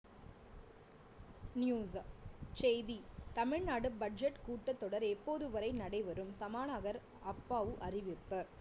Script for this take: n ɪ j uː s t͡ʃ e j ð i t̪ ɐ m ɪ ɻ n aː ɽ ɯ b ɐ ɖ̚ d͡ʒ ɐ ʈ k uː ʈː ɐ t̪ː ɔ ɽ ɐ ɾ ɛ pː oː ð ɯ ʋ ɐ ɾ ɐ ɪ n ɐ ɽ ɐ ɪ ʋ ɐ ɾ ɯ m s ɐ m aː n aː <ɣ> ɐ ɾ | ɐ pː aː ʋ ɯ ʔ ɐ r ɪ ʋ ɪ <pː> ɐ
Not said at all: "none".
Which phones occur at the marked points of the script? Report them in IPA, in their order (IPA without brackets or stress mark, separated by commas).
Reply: ɣ, pː